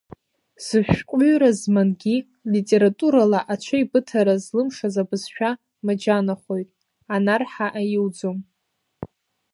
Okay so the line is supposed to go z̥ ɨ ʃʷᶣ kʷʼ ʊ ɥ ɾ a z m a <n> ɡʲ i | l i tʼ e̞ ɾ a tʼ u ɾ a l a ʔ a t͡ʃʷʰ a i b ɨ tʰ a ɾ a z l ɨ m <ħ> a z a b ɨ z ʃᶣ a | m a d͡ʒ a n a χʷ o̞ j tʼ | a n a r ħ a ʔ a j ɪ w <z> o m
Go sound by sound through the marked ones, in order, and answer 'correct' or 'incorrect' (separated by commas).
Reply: correct, incorrect, incorrect